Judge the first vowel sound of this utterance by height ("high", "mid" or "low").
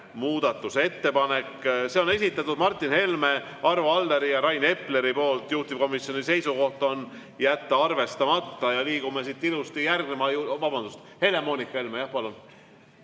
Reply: high